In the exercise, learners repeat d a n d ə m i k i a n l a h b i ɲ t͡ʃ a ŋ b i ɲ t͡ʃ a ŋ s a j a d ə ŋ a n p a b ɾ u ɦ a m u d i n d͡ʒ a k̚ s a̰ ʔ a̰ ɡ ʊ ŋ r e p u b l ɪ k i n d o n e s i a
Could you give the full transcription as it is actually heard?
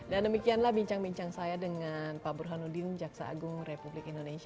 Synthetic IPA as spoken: d a n d ə m i k i a n l a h b i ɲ t͡ʃ a ŋ b i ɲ t͡ʃ a ŋ s a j a d ə ŋ a n p a b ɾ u ɦ a n u d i n d͡ʒ a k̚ s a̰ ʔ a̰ ɡ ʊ ŋ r e p u b l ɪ k i n d o n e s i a